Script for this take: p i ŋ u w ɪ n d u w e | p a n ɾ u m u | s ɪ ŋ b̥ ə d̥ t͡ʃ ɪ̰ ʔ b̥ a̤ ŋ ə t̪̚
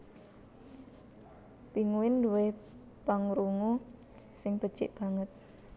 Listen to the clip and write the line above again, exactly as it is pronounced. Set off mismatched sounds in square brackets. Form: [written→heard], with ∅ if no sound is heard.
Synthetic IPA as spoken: p i ŋ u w ɪ n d u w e | p a [n→ŋ] ɾ u [m→ŋ] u | s ɪ ŋ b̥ ə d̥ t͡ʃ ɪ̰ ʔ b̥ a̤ ŋ ə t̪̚